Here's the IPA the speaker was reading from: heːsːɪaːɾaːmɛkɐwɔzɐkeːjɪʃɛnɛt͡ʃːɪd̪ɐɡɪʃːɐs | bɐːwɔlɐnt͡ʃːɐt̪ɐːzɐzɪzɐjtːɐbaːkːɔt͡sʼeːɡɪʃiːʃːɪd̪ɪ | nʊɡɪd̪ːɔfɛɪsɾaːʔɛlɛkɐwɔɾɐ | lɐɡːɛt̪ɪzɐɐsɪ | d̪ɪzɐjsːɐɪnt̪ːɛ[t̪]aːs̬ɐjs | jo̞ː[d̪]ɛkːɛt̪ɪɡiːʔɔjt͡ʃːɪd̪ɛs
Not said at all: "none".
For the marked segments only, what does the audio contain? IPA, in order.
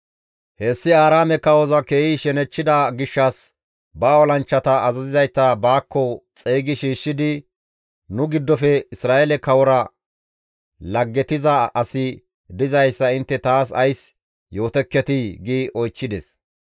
t̪, t̪

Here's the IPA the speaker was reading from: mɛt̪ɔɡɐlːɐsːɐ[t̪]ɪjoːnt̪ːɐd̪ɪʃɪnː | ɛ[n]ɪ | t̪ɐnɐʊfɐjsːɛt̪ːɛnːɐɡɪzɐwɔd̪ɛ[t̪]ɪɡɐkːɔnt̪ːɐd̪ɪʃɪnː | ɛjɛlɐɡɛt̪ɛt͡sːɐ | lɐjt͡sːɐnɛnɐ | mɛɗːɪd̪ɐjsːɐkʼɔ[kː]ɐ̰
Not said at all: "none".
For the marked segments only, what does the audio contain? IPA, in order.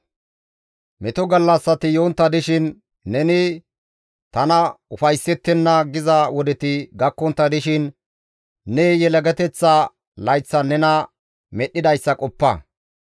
t̪, n, t̪, pː

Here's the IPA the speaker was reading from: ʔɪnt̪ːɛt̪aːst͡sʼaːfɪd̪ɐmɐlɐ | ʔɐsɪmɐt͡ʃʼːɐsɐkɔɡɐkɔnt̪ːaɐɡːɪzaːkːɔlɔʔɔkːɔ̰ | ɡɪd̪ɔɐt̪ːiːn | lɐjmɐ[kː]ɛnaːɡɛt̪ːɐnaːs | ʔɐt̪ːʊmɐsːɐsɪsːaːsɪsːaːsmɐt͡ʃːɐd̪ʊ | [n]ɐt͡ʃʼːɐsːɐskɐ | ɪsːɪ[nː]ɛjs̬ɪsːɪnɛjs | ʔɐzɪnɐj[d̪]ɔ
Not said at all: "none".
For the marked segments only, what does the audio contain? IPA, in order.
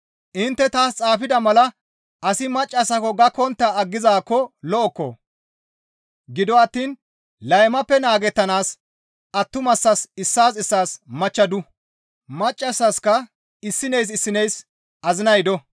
pː, m, n, d̪

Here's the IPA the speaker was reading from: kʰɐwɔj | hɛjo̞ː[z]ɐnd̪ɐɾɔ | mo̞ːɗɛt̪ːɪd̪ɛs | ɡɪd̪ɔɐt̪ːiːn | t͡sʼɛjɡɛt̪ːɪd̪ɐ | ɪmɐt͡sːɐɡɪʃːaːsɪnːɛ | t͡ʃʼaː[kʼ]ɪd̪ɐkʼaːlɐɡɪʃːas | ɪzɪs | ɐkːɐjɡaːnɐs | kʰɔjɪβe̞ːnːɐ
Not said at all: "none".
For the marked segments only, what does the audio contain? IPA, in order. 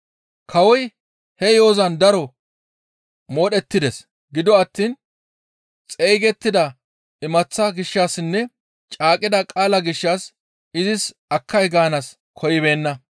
z, kʼ

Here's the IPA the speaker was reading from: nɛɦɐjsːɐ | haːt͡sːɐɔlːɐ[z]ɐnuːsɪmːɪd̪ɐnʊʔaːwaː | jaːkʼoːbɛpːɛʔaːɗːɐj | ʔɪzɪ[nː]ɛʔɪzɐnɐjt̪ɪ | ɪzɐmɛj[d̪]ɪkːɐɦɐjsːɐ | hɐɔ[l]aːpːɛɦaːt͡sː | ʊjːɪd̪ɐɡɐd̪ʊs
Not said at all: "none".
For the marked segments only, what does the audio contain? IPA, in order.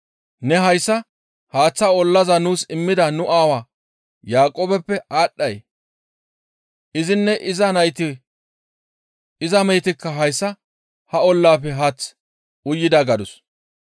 z, nː, t̪, lː

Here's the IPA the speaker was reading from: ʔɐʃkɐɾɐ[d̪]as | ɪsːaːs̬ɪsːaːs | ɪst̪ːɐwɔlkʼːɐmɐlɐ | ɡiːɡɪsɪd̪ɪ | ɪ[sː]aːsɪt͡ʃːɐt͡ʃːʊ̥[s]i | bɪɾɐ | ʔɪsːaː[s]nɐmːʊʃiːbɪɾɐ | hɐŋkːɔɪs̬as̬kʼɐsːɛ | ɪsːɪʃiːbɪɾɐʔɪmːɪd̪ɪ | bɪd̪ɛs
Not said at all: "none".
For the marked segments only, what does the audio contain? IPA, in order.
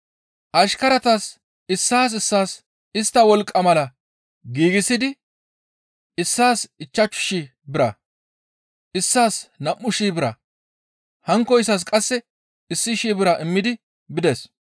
t̪, sː, ʃ, s

